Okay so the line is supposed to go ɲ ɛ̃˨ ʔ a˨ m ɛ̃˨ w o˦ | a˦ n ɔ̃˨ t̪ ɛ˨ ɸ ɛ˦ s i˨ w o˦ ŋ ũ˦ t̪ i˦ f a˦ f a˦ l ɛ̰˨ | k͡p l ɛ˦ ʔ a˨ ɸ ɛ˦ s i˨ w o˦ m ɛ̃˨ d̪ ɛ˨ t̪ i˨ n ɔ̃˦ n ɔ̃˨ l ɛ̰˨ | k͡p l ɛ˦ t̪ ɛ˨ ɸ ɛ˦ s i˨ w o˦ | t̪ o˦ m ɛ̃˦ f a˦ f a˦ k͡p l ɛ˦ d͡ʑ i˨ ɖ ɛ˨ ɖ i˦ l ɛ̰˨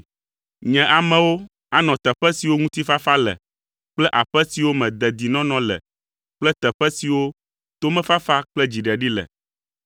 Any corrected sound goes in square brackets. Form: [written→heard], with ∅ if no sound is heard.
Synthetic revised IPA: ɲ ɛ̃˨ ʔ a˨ m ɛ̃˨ w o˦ | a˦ n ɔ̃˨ t̪ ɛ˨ ɸ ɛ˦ s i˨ w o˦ ŋ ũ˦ t̪ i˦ f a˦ f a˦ l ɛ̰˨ | k͡p l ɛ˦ ʔ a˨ ɸ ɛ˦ s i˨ w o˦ m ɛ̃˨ d̪ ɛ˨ [t̪→d̪] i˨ n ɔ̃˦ n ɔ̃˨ l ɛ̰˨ | k͡p l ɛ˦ t̪ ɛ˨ ɸ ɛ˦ s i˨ w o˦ | t̪ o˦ m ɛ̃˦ f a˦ f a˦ k͡p l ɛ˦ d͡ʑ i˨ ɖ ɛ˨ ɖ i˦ l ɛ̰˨